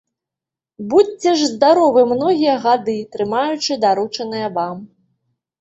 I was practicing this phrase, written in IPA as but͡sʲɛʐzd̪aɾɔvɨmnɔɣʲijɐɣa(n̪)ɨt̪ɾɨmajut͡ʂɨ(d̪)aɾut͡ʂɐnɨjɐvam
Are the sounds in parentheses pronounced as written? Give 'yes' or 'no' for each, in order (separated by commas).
no, yes